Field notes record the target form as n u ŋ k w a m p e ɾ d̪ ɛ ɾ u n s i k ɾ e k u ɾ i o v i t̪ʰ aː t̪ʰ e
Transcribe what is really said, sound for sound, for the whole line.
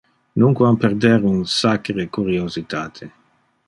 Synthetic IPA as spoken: n u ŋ k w a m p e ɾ d̪ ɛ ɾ u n s a k ɾ e k u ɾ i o z i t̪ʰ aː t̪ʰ e